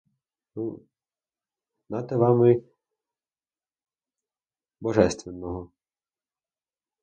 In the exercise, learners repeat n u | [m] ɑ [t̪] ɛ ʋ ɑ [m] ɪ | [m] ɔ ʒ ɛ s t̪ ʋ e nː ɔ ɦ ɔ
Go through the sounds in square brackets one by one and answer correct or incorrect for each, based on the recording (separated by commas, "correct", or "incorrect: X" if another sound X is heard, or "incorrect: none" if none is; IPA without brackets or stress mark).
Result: incorrect: n, correct, correct, incorrect: b